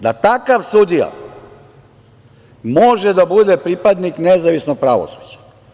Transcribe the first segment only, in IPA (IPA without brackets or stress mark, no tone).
d̪